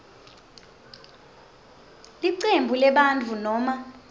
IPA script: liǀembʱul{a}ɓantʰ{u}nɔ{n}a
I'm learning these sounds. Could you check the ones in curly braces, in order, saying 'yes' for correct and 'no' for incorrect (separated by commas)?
no, yes, no